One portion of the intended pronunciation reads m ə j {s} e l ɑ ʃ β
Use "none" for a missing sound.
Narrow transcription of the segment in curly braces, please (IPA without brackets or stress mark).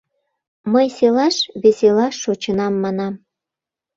s